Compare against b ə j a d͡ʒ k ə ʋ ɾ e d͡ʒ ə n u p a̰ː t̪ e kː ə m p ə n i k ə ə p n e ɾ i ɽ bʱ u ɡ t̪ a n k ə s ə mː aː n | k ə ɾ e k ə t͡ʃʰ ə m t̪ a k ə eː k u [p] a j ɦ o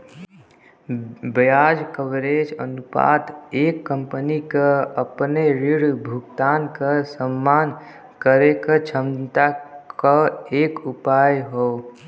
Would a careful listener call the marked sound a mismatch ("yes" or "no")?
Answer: no